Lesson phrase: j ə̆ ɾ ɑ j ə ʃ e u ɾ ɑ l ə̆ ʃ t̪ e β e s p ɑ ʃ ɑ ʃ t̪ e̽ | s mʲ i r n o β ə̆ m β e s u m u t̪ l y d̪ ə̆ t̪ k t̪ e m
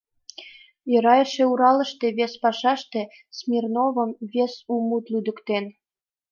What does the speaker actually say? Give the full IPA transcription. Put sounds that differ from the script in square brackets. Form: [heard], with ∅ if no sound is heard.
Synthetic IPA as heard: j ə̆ ɾ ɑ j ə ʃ e u ɾ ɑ l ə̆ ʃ t̪ e β e s p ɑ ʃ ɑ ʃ t̪ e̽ | s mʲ i r n o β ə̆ m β e s u m u t̪ l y d̪ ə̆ [∅] k t̪ e [n]

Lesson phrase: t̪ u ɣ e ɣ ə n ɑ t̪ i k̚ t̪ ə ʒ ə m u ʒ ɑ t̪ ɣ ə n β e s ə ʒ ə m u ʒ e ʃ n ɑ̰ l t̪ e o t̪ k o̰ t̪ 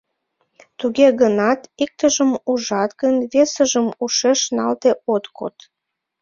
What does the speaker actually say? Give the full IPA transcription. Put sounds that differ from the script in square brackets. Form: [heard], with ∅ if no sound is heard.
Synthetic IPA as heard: t̪ u ɣ e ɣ ə n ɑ t̪ i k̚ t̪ ə ʒ ə m u ʒ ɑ t̪ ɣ ə n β e s ə ʒ ə m u [ʃ] e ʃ n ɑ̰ l t̪ e o t̪ k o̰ t̪

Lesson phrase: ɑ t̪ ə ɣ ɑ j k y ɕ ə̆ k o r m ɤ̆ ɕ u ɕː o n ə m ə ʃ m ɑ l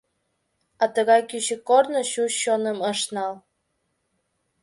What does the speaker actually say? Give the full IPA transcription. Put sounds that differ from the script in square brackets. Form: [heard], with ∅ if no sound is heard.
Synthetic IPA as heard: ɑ t̪ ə ɣ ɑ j k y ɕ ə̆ k o r [n] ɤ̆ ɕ u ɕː o n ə m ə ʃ [n] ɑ l

